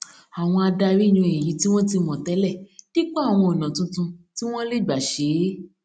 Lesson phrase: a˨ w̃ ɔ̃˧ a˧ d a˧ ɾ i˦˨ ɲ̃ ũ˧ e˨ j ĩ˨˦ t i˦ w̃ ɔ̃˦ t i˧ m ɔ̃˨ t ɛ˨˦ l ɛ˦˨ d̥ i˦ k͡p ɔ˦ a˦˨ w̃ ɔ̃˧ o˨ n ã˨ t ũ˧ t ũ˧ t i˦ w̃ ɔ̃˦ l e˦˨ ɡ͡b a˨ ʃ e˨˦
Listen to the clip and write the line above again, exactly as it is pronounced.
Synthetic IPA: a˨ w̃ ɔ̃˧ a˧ d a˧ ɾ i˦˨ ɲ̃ ũ˧ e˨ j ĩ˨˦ t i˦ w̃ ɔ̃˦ t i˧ m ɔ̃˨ t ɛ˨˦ l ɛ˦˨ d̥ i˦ k͡p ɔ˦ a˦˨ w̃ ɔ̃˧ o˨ n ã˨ t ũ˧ t ũ˧ t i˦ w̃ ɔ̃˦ l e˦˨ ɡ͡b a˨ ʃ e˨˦